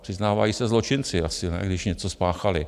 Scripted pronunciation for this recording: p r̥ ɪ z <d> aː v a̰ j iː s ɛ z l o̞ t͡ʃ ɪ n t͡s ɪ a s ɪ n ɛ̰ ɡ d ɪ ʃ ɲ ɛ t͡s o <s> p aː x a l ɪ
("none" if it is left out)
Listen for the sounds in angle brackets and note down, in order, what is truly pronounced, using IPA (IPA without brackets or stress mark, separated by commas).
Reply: n, s